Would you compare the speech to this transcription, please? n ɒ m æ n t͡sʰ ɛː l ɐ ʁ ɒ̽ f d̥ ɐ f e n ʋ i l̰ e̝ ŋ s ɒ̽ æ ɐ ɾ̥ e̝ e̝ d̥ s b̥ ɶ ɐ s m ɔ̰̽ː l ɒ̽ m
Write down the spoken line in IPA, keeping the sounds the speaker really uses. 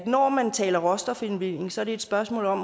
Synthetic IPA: n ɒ m æ n t͡sʰ ɛː l ɐ ʁ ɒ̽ s d̥ ɐ f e n ʋ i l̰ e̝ ŋ s ɒ̽ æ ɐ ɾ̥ e̝ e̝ d̥ s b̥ ɶ ɐ s m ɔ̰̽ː l ɒ̽ m